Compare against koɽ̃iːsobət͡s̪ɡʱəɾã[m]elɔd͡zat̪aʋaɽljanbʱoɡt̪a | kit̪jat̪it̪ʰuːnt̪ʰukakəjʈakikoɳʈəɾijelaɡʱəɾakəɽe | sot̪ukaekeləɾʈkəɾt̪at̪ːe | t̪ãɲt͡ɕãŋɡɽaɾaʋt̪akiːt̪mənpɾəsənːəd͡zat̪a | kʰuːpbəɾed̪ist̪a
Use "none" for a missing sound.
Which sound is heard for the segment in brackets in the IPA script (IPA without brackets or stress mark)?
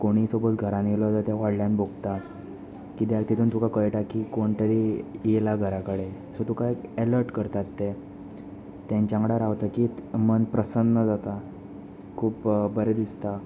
n